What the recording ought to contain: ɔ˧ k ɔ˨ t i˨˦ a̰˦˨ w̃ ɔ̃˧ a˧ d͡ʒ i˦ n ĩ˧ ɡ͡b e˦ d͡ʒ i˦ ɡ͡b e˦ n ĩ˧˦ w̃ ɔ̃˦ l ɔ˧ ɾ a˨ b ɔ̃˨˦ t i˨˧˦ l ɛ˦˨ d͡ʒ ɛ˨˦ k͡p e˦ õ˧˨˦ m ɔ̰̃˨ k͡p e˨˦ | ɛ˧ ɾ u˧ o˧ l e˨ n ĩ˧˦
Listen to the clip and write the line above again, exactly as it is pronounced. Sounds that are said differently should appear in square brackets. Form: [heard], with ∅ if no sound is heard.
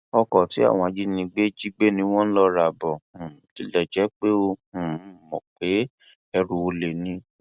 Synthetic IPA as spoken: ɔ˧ k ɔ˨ t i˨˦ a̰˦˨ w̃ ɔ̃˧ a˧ d͡ʒ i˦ n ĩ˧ ɡ͡b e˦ d͡ʒ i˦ ɡ͡b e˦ n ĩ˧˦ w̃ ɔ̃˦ l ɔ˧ ɾ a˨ b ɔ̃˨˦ t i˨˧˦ l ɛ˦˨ d͡ʒ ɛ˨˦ k͡p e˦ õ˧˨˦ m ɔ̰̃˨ k͡p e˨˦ | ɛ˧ ɾ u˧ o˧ l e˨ n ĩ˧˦